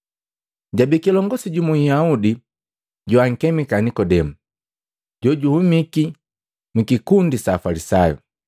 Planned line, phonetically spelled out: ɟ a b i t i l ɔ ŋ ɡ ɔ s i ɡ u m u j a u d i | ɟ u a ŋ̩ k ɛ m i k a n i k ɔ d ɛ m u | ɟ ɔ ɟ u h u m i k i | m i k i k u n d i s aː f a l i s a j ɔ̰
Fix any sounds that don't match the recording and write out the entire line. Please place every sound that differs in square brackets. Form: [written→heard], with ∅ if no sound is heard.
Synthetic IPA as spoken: ɟ a b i [t→k] i l ɔ ŋ ɡ ɔ s i [ɡ→ɟ] u m u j a u d i | ɟ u a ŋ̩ k ɛ m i k a n i k ɔ d ɛ m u | ɟ ɔ ɟ u h u m i k i | m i k i k u n d i s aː f a l i s a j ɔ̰